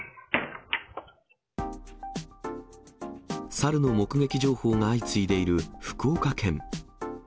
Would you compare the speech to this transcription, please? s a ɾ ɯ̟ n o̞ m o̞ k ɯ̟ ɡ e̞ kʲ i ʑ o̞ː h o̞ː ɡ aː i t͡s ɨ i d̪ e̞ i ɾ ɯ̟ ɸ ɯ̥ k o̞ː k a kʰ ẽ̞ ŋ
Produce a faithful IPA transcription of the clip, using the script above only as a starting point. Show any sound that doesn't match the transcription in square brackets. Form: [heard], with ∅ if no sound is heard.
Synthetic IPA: s a ɾ ɯ̟ n o̞ m o̞ k ɯ̟ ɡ e̞ kʲ i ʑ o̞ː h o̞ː [ŋ] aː i t͡s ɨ i d̪ e̞ i ɾ ɯ̟ ɸ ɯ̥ k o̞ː k a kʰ ẽ̞ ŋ